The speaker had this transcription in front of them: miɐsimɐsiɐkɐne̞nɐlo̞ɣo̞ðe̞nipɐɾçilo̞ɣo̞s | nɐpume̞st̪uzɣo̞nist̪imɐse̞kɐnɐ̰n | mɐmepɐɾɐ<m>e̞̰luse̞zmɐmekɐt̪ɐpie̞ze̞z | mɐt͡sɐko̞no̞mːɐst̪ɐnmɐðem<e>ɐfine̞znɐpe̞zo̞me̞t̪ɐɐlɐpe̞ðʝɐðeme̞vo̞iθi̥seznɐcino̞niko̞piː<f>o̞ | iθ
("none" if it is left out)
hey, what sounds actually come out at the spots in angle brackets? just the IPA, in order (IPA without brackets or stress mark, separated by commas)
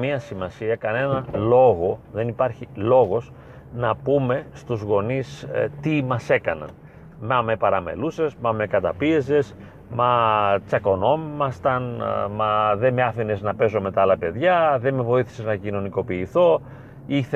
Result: m, e, θ